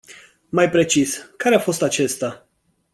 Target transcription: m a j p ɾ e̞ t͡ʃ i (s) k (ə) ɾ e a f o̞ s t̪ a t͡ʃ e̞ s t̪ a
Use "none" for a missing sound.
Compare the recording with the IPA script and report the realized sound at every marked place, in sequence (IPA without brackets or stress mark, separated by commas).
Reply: s, a